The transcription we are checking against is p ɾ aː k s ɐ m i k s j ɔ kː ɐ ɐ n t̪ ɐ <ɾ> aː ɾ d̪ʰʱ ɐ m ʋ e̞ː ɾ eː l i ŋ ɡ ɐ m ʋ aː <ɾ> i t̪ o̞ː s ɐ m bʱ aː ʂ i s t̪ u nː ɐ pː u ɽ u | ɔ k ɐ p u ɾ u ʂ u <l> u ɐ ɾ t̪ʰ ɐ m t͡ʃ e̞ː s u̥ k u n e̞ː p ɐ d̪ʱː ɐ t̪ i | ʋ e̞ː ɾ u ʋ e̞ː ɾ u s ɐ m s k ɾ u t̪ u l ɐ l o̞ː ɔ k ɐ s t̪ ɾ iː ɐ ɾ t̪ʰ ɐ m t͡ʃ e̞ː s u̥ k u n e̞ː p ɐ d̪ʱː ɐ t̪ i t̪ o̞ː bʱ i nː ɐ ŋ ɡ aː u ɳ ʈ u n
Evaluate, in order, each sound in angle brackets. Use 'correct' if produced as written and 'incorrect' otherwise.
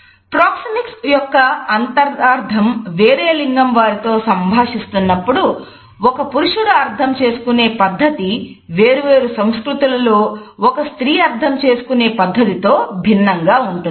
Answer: correct, correct, incorrect: ɽ

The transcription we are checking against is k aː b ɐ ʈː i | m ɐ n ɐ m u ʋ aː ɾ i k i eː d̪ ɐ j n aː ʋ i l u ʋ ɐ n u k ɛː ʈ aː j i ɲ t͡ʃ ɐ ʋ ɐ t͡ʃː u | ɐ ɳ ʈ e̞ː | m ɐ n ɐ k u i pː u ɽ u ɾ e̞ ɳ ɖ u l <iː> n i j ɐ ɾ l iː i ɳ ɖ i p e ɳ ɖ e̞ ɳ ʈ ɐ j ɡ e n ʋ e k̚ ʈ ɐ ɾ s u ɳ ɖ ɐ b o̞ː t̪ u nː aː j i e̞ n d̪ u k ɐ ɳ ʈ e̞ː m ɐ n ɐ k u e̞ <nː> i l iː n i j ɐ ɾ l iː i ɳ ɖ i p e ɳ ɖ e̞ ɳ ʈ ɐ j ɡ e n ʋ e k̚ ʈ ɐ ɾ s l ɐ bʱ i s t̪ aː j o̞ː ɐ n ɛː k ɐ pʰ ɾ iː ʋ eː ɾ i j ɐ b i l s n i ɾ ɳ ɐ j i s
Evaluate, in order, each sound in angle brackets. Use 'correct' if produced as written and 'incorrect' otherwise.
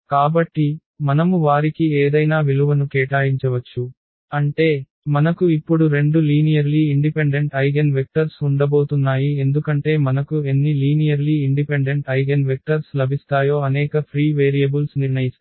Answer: correct, correct

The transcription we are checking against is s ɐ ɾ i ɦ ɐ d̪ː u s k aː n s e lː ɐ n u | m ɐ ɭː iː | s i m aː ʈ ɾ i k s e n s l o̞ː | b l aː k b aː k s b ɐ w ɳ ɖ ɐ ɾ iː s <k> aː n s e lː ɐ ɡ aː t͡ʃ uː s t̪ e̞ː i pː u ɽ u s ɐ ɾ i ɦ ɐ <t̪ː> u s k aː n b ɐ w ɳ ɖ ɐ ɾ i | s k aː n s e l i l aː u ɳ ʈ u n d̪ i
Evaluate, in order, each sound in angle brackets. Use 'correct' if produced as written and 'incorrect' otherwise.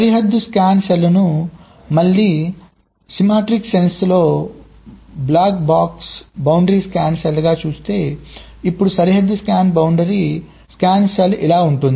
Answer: correct, incorrect: d̪ː

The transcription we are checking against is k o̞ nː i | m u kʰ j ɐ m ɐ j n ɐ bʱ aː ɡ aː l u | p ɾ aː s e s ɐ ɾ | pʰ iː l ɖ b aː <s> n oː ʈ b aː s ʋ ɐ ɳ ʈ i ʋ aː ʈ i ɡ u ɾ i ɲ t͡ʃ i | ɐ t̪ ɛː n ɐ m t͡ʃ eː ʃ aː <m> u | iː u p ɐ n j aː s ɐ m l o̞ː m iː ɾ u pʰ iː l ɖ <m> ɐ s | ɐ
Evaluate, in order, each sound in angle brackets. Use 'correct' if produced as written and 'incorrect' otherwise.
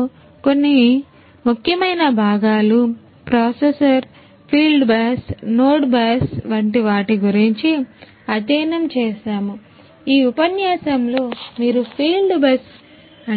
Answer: correct, correct, incorrect: b

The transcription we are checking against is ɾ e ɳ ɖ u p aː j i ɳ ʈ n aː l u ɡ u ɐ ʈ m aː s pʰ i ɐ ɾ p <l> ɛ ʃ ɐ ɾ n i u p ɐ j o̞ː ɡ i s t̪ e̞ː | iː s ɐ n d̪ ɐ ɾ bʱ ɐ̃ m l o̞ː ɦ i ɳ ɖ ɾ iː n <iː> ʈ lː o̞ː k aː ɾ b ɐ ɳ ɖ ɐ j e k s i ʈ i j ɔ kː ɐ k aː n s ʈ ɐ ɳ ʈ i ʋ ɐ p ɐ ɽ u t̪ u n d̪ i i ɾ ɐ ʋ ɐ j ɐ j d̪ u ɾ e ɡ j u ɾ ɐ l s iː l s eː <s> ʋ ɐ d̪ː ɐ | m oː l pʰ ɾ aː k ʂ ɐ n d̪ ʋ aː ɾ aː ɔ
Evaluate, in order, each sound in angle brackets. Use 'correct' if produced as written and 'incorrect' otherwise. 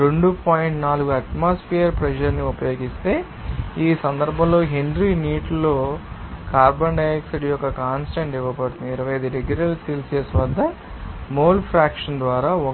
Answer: incorrect: ɾ, correct, correct

